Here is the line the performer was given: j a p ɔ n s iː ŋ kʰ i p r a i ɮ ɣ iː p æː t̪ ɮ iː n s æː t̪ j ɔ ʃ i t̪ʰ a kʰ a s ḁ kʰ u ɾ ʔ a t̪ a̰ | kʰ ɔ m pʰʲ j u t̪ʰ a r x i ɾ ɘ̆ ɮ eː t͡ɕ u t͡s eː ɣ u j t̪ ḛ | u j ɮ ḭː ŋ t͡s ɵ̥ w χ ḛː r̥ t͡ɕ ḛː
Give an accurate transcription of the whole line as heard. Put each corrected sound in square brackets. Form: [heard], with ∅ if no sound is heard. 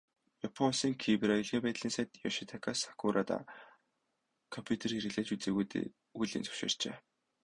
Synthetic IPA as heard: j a [pʰ] ɔ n s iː ŋ kʰ i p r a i ɮ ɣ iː p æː t̪ ɮ iː n s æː t̪ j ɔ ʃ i t̪ʰ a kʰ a s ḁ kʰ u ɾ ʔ a t̪ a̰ | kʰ ɔ m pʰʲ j u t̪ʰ [e] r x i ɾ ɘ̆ ɮ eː t͡ɕ u t͡s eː ɣ u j t̪ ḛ | u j ɮ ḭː [n] t͡s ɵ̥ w [ʃ] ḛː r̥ t͡ɕ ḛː